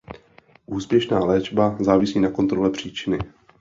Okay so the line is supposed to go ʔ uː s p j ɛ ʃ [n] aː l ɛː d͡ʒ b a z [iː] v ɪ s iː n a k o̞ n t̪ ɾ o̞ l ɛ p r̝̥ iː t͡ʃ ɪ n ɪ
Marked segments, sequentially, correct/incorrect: correct, incorrect

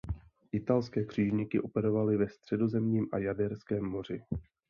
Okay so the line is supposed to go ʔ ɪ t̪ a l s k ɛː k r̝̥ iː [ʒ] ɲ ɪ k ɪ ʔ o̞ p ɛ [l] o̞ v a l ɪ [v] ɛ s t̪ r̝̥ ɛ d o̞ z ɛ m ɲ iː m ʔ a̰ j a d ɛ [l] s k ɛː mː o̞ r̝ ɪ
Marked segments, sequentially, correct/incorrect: correct, incorrect, correct, incorrect

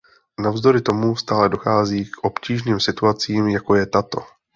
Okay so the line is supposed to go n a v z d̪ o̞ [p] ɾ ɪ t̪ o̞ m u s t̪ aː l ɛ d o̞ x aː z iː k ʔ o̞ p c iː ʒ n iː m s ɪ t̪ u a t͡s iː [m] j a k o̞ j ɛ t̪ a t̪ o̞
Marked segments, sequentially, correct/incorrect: incorrect, correct

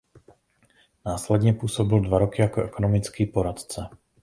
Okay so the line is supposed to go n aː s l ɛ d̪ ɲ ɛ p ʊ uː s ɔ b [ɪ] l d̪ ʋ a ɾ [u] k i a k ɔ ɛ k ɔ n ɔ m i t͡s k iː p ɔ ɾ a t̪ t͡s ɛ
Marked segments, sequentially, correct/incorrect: incorrect, incorrect

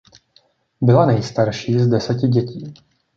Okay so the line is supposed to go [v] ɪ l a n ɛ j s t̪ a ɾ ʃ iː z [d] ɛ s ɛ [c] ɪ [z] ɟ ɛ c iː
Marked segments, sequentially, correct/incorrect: incorrect, correct, correct, incorrect

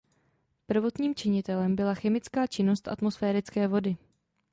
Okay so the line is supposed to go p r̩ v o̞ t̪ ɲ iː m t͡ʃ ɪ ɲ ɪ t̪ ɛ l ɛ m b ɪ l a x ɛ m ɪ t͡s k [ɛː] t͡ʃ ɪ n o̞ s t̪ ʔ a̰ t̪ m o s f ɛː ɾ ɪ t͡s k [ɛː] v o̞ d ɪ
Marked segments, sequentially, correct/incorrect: incorrect, correct

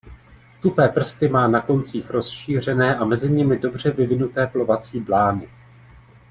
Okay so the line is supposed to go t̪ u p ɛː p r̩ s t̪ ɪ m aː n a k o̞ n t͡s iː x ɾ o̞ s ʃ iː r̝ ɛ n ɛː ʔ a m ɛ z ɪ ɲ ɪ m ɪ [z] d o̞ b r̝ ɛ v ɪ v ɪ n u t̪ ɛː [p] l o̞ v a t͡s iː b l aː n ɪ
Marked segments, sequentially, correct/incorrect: incorrect, correct

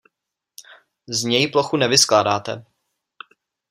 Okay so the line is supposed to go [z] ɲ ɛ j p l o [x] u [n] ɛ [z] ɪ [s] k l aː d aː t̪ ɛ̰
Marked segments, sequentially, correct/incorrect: correct, correct, correct, incorrect, correct

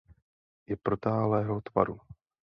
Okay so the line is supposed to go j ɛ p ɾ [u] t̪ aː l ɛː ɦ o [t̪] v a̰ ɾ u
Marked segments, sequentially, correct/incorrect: incorrect, correct

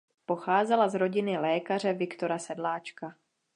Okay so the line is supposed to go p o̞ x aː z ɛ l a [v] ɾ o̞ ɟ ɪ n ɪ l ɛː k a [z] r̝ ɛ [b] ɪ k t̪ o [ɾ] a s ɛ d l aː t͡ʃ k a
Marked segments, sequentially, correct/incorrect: incorrect, incorrect, incorrect, correct

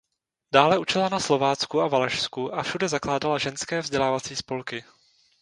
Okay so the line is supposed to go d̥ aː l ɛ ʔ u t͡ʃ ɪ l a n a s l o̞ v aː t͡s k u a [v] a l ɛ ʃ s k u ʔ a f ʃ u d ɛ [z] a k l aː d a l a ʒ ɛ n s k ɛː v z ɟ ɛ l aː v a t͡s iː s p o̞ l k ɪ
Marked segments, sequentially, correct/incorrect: correct, correct

